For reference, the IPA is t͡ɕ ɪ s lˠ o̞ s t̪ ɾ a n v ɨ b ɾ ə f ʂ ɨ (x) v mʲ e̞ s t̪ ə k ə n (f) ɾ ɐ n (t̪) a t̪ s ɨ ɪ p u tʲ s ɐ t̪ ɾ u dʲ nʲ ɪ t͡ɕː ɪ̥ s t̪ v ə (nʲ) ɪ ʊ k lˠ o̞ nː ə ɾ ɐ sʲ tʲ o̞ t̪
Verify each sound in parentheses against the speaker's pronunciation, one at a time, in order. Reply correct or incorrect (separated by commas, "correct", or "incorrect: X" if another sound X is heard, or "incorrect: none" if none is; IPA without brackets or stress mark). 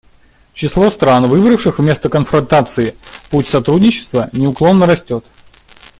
correct, correct, correct, correct